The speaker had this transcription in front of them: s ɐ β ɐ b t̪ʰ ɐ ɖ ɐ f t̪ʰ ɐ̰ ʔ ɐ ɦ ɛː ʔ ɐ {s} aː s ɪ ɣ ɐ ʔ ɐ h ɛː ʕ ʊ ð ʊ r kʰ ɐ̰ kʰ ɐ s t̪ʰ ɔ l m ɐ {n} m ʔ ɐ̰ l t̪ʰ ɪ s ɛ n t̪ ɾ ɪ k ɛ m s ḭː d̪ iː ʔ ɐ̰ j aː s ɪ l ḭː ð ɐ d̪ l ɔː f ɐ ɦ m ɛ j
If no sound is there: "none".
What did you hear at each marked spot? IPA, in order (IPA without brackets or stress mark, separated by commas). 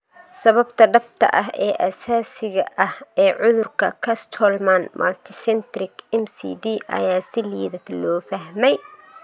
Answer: s, n